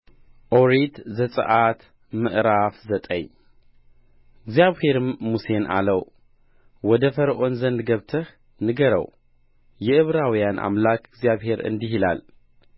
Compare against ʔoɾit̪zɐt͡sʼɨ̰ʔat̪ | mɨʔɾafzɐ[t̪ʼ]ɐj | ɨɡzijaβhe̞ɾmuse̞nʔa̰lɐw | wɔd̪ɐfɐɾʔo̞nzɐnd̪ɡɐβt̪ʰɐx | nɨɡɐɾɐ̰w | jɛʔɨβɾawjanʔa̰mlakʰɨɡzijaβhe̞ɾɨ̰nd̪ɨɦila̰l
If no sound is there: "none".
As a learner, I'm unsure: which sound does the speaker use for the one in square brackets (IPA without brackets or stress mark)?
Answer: t̪ʼ